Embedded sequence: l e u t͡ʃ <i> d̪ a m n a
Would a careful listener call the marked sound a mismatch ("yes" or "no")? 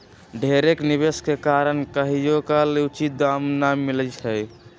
no